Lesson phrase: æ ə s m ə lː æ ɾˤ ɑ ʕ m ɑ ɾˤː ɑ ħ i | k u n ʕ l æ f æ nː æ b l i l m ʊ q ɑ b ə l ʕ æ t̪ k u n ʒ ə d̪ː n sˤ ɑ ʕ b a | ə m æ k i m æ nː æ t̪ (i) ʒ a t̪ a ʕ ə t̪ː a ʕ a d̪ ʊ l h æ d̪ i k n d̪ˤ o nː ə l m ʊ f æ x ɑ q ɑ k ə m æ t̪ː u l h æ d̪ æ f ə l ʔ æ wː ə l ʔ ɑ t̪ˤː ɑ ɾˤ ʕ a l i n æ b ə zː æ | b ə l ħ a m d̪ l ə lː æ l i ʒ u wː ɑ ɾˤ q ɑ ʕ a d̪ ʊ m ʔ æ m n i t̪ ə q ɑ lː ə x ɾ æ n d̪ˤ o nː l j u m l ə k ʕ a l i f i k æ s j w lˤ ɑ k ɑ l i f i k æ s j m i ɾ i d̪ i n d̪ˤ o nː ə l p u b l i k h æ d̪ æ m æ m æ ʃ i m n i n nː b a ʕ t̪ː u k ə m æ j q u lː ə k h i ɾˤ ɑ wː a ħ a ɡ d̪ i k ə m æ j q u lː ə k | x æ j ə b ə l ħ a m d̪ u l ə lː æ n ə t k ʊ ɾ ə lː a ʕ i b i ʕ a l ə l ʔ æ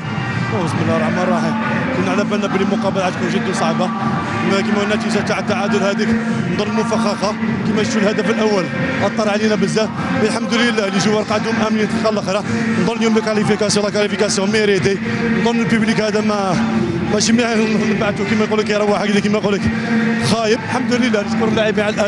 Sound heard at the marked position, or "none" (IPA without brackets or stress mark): i